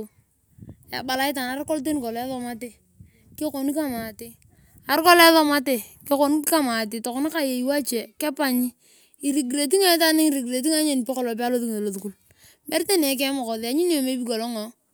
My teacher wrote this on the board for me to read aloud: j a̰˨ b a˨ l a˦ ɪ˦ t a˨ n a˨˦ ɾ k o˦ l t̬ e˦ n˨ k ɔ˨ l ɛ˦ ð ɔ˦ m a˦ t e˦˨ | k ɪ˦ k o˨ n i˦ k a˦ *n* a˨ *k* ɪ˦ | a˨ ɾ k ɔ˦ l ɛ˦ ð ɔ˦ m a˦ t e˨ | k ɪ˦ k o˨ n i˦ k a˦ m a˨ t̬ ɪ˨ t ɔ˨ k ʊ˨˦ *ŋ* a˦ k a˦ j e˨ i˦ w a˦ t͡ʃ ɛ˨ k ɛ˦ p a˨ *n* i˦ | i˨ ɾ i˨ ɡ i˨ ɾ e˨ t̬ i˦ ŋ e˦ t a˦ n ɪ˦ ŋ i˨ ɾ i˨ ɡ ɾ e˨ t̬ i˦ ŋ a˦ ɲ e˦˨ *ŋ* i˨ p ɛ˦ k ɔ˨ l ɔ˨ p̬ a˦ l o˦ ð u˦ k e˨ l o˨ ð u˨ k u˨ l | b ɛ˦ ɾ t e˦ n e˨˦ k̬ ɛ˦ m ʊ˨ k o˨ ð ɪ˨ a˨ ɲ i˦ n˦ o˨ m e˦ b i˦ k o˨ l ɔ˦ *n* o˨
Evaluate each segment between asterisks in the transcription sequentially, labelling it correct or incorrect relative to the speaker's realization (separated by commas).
incorrect, incorrect, incorrect, incorrect, incorrect, incorrect